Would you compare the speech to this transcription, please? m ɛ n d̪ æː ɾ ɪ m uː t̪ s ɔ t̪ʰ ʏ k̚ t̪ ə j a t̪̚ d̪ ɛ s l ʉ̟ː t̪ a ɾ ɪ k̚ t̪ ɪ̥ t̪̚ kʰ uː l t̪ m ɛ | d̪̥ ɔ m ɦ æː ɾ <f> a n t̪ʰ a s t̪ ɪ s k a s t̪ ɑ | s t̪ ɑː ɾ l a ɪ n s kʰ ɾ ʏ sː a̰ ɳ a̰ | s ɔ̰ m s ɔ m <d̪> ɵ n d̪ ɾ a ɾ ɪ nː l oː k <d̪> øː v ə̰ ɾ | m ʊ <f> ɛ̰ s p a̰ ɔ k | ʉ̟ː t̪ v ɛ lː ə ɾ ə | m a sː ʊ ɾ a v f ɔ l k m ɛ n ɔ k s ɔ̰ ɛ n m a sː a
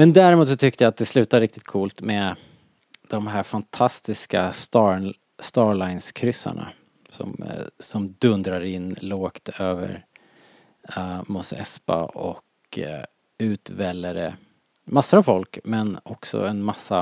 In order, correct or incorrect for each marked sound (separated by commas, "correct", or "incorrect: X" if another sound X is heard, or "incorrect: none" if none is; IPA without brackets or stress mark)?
correct, correct, incorrect: t̪, incorrect: s